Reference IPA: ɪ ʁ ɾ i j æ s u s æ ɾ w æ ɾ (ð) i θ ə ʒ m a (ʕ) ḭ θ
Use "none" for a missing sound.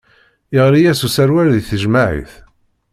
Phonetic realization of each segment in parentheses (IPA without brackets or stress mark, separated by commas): ð, ʕ